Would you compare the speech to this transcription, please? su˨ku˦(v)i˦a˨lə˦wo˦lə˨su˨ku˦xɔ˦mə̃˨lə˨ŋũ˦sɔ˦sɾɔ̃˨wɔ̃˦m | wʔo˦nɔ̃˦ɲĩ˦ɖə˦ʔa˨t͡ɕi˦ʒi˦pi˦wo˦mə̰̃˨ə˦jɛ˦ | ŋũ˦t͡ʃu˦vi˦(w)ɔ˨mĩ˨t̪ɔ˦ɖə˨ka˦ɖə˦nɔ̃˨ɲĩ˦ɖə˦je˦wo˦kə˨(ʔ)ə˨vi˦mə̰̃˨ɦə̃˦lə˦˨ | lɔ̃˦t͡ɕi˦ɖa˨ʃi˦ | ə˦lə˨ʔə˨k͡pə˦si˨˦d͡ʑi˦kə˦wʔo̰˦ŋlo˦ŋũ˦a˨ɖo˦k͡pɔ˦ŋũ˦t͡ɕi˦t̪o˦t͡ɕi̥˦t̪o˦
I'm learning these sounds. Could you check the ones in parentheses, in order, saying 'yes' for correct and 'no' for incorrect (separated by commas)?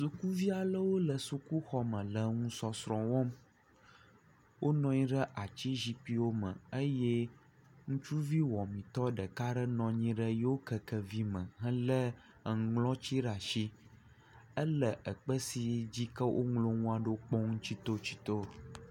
yes, yes, no